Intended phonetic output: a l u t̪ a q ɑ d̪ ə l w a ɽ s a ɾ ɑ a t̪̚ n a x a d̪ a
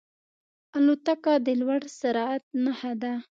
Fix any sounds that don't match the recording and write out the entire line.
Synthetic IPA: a l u t̪ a k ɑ d̪ ə l w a ɽ s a ɾ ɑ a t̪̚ n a h a d̪ a